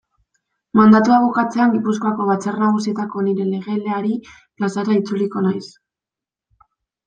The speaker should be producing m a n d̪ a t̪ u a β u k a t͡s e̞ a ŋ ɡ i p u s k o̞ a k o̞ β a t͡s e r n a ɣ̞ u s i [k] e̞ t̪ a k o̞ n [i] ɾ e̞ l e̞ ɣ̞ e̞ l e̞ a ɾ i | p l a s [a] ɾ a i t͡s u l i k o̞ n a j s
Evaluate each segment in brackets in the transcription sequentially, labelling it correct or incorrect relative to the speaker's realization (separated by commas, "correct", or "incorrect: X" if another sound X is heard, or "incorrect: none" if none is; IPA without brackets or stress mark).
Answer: incorrect: none, correct, correct